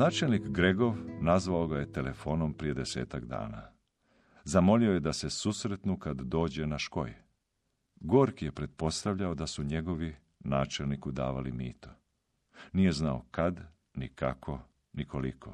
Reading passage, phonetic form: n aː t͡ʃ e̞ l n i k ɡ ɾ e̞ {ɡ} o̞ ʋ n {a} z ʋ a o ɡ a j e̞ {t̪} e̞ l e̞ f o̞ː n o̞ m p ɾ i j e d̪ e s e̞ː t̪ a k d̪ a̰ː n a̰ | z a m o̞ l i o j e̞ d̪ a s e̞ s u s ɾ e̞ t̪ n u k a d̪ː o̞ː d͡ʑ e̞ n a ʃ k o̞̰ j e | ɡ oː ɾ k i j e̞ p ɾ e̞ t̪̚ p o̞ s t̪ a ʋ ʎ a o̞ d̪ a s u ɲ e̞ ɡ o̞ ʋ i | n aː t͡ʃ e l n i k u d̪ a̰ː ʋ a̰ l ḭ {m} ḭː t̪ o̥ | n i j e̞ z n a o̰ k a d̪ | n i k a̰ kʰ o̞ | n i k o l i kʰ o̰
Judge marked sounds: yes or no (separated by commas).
yes, yes, yes, yes